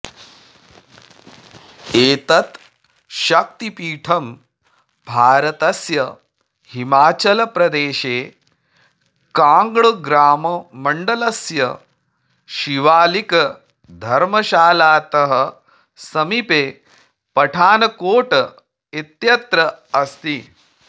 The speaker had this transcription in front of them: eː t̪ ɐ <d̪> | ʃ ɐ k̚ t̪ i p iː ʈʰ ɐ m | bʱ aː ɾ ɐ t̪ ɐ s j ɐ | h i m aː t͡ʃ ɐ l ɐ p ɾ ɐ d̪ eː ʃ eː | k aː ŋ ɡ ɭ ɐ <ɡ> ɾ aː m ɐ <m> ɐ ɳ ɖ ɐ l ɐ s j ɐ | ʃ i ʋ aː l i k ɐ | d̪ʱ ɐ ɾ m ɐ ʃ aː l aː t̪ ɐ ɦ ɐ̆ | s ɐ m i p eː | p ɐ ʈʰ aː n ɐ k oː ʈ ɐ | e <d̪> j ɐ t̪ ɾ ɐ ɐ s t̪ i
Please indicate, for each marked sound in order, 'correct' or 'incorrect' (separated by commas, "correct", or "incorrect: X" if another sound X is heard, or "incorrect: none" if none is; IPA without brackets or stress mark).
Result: incorrect: t̪, correct, correct, incorrect: t̪